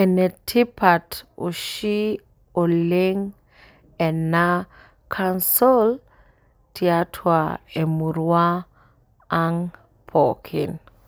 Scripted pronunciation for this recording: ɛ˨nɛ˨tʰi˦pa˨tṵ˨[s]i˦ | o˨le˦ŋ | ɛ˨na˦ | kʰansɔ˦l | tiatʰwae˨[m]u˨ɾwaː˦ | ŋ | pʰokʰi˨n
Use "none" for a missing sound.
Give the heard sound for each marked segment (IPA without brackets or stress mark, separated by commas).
ʃ, m